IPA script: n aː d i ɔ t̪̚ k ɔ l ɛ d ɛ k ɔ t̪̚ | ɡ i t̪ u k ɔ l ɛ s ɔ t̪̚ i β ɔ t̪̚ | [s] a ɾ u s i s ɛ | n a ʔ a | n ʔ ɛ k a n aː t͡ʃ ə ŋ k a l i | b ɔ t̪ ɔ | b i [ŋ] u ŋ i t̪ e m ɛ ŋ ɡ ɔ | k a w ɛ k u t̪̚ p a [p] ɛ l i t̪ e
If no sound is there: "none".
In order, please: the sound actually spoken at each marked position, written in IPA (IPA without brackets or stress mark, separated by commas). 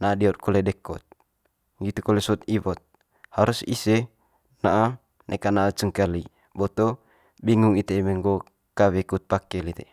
h, ŋ, k